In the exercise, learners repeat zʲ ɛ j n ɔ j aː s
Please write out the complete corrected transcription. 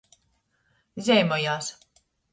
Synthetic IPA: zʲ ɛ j m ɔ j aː s